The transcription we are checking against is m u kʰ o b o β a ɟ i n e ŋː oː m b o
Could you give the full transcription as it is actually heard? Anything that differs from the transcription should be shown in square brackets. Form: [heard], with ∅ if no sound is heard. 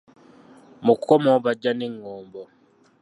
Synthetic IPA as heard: m u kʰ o [m] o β a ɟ [a] n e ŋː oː m b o